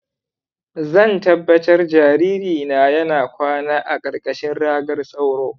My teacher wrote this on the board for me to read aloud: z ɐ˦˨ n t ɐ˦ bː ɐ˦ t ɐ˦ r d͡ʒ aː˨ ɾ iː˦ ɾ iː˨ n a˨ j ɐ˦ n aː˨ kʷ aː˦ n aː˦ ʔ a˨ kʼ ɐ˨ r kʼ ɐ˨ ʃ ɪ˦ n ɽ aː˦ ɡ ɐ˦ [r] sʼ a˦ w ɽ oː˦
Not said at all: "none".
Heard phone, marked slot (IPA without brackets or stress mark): r